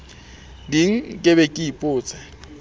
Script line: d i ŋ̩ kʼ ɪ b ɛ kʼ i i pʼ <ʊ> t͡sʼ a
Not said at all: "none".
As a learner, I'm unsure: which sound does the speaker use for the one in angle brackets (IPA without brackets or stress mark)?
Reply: ʊː